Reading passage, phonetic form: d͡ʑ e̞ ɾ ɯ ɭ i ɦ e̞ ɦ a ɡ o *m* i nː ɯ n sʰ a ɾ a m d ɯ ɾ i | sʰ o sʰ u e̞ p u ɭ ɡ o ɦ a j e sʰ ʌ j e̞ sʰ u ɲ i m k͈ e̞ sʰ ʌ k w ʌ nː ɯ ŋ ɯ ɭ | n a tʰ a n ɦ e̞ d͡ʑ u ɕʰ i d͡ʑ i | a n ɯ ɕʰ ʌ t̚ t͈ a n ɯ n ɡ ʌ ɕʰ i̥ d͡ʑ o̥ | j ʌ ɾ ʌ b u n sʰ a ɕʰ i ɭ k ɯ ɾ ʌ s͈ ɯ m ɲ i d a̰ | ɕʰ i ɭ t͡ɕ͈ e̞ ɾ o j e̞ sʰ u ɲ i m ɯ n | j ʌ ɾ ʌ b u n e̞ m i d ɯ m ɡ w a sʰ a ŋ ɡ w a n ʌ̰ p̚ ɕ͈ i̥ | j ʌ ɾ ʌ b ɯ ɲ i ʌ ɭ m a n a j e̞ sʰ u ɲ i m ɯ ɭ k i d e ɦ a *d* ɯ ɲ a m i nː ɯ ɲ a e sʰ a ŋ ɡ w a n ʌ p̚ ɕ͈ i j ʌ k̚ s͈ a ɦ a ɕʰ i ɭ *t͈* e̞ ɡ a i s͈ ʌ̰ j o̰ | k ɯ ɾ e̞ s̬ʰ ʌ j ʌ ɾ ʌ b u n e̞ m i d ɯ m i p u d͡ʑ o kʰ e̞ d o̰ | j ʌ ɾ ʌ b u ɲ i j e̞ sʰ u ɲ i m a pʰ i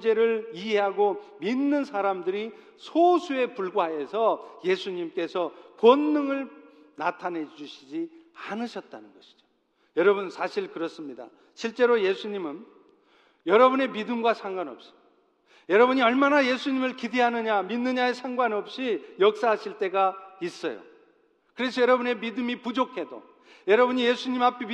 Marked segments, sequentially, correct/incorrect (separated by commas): correct, incorrect, correct